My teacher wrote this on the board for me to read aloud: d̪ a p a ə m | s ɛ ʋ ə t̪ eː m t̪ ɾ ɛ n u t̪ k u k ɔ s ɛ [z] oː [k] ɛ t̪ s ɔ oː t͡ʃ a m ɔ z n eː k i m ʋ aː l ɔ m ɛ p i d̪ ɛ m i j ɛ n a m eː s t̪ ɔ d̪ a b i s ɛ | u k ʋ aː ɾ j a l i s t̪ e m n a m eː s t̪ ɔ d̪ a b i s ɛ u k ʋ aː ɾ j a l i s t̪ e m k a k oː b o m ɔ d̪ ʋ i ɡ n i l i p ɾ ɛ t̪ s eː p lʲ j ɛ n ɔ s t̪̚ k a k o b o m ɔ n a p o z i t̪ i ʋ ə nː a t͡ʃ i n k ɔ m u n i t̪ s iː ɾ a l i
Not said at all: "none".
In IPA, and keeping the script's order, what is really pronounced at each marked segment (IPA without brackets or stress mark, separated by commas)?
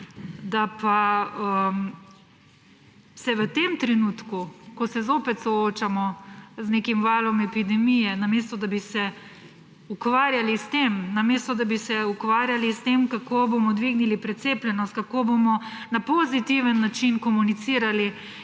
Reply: z, p